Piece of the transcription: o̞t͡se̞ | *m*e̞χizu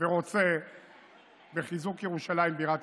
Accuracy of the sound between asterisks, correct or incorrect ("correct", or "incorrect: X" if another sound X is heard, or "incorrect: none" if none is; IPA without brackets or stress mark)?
incorrect: b